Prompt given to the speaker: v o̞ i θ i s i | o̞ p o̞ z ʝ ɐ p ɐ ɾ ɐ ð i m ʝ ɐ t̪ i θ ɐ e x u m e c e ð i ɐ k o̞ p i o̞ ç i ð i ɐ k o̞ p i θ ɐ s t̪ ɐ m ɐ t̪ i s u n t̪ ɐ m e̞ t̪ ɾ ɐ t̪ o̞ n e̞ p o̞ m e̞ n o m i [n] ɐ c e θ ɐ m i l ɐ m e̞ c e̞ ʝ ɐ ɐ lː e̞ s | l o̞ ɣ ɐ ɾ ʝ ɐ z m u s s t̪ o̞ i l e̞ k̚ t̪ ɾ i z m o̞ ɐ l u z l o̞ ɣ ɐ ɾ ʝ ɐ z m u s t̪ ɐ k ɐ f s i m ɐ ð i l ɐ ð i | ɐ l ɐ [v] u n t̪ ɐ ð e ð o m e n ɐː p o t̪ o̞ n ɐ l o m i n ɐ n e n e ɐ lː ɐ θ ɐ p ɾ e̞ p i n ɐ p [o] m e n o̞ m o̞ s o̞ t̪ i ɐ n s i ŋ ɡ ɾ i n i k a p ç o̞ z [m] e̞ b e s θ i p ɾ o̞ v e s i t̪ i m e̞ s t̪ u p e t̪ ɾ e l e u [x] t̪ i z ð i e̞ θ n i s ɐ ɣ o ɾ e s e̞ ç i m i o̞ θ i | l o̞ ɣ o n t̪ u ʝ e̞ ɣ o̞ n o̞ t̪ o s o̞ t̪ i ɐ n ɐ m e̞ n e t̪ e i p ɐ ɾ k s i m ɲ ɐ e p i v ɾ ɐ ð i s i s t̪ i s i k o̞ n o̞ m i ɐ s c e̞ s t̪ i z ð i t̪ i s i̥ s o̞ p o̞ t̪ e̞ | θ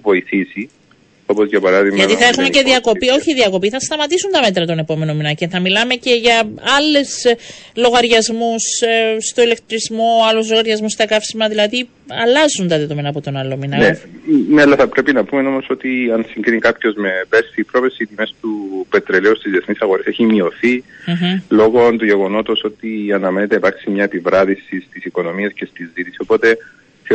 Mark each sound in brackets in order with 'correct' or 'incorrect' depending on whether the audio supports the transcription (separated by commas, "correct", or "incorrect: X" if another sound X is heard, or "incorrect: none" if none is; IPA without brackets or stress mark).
correct, incorrect: z, incorrect: u, correct, incorrect: s